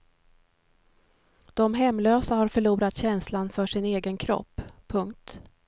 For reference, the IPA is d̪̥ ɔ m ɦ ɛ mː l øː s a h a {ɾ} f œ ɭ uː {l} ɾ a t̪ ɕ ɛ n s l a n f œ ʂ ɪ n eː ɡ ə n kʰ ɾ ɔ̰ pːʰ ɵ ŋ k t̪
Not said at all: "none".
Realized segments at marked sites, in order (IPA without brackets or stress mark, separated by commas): ɾ, none